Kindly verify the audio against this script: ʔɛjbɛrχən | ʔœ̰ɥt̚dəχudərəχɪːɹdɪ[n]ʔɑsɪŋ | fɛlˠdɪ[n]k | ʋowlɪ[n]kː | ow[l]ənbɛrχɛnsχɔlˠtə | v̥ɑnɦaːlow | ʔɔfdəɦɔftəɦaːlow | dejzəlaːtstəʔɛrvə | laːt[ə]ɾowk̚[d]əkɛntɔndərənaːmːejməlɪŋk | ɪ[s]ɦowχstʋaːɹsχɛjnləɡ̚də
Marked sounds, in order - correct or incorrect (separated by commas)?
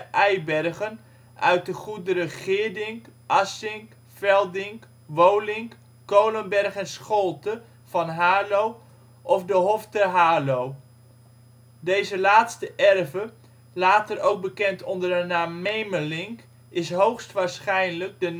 incorrect, incorrect, incorrect, correct, correct, incorrect, correct